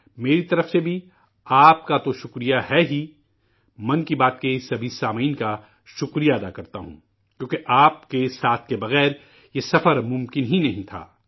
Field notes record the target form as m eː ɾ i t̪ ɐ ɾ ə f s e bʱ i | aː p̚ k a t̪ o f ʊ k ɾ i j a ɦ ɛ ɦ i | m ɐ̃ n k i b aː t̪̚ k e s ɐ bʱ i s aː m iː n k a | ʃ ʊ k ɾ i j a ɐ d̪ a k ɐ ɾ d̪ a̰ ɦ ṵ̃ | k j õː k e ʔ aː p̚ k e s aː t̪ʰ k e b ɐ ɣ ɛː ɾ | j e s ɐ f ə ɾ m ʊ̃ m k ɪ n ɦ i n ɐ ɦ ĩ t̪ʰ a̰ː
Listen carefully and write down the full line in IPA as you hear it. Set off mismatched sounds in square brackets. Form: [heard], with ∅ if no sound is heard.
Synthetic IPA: m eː ɾ i t̪ ɐ ɾ ə f s e bʱ i | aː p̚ k a t̪ o [ʃ] ʊ k ɾ i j a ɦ ɛ ɦ i | m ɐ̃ n k i b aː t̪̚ k e s ɐ bʱ i s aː m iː n k a | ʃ ʊ k ɾ i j a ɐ d̪ a k ɐ ɾ [t̪] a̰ ɦ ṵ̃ | k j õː k e ʔ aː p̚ k e s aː t̪ʰ k e b ɐ ɣ ɛː ɾ | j e s ɐ f ə ɾ m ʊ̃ m k ɪ n ɦ i n ɐ ɦ ĩ t̪ʰ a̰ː